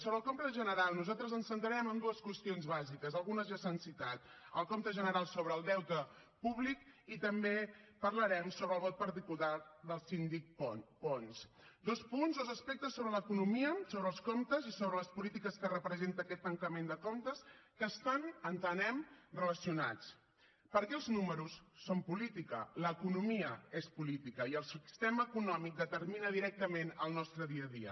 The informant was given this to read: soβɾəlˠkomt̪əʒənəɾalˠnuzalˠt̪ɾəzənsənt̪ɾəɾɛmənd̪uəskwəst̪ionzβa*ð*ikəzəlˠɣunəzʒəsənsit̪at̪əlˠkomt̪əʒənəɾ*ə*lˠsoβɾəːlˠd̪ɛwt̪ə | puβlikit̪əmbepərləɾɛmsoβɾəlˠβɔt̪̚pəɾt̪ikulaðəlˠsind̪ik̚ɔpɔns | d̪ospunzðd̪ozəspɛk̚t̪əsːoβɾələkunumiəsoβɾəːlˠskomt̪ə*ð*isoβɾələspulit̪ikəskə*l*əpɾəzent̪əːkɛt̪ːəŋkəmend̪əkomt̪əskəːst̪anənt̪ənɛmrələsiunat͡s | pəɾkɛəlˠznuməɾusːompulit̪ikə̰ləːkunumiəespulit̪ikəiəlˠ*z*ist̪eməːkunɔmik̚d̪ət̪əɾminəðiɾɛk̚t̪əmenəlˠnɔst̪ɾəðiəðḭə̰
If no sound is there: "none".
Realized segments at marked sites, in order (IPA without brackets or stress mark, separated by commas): z, a, z, r, s